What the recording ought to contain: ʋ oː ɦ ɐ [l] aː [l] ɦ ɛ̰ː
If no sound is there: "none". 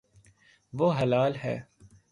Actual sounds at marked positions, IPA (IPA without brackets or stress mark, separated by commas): l, l